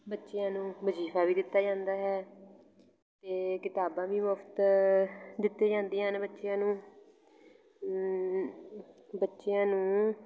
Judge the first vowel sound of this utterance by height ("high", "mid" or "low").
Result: mid